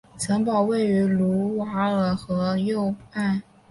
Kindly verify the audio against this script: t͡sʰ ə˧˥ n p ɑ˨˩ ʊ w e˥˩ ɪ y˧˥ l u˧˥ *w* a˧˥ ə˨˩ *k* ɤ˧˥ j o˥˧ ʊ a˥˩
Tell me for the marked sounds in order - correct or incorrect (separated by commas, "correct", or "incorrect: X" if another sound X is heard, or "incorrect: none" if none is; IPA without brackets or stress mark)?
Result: correct, incorrect: x